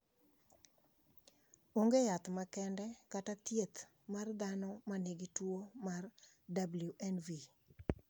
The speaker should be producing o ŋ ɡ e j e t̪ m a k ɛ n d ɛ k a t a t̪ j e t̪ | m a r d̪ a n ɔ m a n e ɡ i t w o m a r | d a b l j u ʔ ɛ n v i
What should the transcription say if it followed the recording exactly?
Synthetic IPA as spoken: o ŋ ɡ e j a t̪ m a k ɛ n d ɛ k a t a t̪ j e t̪ | m a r d̪ a n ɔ m a n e ɡ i t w o m a r | d a b l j u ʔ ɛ n v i